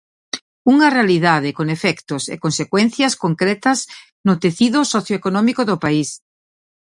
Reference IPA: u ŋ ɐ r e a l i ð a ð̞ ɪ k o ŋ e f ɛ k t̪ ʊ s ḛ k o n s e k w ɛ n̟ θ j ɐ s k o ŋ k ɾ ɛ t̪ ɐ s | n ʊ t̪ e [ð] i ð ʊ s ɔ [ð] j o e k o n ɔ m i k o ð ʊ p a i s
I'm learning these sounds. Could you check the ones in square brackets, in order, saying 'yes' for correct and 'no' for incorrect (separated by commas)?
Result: no, no